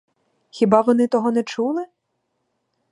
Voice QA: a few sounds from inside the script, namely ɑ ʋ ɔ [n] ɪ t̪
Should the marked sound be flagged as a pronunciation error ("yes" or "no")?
no